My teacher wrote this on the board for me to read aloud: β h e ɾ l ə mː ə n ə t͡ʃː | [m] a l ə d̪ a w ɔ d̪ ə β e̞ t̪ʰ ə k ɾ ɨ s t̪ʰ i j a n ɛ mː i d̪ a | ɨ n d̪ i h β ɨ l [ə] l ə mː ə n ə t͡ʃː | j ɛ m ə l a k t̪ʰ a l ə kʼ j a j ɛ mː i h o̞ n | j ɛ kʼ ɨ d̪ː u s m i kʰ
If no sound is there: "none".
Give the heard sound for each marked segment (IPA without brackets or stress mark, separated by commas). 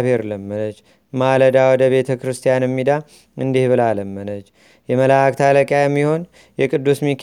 m, a